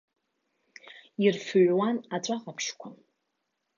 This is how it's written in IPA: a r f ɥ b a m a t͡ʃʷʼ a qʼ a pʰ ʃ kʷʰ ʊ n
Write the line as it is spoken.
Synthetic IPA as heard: i r f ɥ w a n a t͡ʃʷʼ a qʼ a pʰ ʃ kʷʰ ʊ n